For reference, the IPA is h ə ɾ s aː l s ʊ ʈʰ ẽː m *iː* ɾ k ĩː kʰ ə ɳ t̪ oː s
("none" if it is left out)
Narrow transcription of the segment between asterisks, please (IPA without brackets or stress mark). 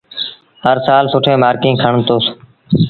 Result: aː